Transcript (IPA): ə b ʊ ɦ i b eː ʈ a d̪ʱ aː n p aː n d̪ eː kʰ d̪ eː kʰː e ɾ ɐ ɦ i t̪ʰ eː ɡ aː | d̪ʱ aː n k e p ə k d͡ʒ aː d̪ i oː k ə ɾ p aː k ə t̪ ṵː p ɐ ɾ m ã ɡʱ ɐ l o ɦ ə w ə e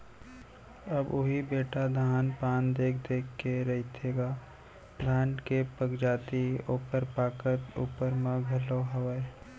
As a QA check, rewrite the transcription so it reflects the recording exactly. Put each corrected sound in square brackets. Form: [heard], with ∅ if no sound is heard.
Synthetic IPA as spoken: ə b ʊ ɦ i b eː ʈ a d̪ʱ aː n p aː n d̪ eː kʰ d̪ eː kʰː e ɾ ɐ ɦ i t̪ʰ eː ɡ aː | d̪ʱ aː n k e p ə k d͡ʒ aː [t̪] i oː [p] ə ɾ p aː k ə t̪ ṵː p [ə] ɾ m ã ɡʱ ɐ l o ɦ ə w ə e

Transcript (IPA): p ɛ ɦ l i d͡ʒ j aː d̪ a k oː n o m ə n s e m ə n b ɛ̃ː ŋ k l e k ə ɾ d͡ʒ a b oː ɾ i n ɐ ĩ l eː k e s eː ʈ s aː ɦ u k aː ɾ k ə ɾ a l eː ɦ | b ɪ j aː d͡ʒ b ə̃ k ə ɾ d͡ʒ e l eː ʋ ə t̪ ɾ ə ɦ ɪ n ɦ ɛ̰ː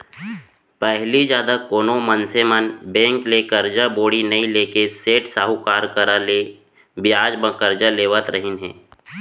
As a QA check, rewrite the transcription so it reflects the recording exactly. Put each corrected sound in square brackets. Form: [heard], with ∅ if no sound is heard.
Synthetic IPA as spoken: p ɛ ɦ l i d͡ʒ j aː d̪ a k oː n o m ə n s e m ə n b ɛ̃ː ŋ k l e k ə ɾ d͡ʒ a b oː [ɽ] i n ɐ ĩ l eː k e s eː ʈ s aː ɦ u k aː ɾ k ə ɾ a l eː [∅] | b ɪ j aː d͡ʒ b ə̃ k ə ɾ d͡ʒ [a] l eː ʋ ə t̪ ɾ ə ɦ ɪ n ɦ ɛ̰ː

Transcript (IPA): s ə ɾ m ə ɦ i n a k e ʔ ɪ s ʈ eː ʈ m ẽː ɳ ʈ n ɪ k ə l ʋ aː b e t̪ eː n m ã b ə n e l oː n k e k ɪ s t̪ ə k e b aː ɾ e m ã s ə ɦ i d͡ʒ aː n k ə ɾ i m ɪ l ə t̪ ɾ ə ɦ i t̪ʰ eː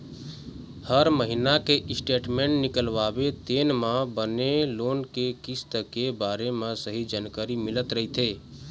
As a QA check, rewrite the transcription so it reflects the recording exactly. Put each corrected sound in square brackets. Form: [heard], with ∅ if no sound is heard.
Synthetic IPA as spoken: [h] ə ɾ m ə ɦ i n a k e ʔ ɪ s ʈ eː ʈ m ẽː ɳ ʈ n ɪ k ə l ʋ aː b e t̪ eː n m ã b ə n e l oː n k e k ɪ s t̪ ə k e b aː ɾ e m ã s ə ɦ i d͡ʒ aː n k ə ɾ i m ɪ l ə t̪ ɾ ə ɦ i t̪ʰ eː

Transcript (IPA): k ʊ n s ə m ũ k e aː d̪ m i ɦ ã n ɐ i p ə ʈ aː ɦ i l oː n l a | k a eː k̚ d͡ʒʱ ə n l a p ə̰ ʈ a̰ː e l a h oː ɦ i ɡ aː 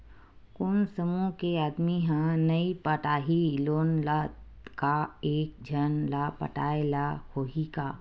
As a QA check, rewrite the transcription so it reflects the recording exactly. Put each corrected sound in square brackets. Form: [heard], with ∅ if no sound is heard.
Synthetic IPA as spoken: k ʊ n s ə m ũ k e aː d̪ m i ɦ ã n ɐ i p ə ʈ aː ɦ i l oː n l a | k a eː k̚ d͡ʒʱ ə n l a p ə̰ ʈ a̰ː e l a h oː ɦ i [k] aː

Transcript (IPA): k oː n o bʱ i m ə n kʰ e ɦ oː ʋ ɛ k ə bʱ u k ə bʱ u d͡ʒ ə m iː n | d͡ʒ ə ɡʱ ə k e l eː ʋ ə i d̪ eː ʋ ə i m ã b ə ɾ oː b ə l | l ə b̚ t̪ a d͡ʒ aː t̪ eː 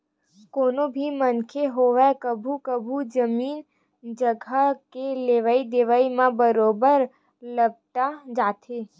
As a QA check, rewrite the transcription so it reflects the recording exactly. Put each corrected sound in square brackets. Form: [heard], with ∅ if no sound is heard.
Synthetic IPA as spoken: k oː n o bʱ i m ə n kʰ e ɦ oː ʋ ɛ k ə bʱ u k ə bʱ u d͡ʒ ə m iː n | d͡ʒ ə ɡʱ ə k e l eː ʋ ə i d̪ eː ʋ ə i m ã b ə ɾ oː b ə [ɾ] | l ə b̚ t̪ a d͡ʒ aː t̪ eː

